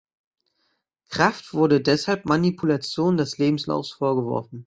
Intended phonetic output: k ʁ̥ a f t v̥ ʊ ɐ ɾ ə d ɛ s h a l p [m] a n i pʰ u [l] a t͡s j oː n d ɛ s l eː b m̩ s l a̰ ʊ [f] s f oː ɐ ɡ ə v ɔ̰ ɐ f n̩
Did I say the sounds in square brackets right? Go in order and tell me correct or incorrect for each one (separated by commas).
correct, correct, correct